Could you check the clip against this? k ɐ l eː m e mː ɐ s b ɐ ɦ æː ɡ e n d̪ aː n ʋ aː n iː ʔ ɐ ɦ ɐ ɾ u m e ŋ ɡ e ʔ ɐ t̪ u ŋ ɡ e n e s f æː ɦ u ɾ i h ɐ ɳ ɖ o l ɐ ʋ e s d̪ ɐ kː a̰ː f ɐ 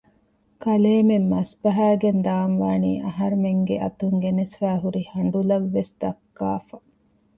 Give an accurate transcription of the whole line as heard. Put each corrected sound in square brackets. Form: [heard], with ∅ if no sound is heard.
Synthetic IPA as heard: k ɐ l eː m e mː ɐ s b ɐ ɦ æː ɡ e n d̪ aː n ʋ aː n iː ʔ ɐ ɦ ɐ ɾ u m e ŋ ɡ e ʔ ɐ t̪ u ŋ ɡ e n e s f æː ɦ u ɾ i h ɐ ɳ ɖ [u] l ɐ [ʋː] e s d̪ ɐ kː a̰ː f ɐ